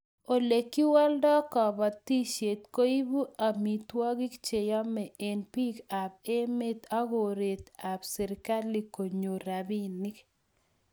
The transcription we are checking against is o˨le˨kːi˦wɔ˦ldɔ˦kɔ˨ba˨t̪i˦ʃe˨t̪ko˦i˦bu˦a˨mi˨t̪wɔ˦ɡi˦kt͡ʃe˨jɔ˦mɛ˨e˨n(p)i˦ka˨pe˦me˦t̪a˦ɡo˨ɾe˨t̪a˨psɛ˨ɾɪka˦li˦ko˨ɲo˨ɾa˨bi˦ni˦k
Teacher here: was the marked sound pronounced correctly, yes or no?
yes